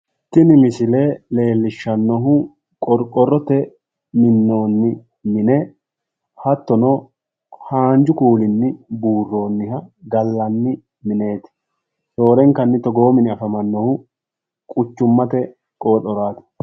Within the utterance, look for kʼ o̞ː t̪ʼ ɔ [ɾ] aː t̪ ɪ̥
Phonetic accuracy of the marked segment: correct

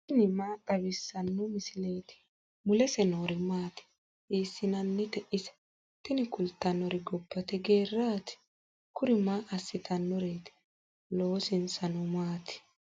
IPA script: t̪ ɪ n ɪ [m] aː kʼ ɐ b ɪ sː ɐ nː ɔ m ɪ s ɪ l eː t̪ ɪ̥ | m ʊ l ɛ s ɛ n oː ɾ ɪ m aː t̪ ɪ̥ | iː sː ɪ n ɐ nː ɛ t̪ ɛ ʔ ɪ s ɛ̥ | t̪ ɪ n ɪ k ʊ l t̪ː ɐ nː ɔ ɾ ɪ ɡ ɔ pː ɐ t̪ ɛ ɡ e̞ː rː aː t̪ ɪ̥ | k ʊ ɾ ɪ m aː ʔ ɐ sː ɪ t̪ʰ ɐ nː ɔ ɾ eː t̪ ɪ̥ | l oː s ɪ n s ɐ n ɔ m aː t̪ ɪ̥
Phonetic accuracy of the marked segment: correct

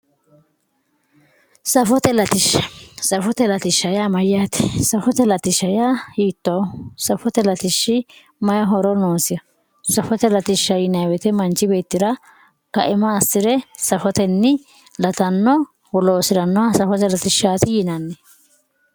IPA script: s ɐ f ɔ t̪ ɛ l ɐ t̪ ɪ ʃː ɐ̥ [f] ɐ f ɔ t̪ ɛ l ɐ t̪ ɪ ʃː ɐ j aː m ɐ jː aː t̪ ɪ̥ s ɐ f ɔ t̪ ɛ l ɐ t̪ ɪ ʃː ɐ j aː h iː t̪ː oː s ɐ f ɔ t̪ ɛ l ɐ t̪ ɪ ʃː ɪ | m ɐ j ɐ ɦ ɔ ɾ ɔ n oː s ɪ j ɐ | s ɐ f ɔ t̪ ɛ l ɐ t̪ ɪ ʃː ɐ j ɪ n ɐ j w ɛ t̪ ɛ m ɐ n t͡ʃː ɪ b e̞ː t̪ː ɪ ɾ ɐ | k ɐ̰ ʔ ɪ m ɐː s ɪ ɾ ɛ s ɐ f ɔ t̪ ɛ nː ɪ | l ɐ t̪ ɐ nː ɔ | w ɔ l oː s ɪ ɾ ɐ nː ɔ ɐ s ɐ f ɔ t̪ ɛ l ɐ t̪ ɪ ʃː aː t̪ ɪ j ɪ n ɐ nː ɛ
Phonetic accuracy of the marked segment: incorrect: s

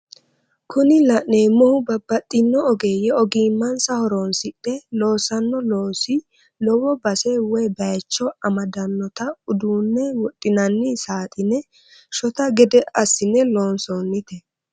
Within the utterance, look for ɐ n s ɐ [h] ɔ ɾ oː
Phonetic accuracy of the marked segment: correct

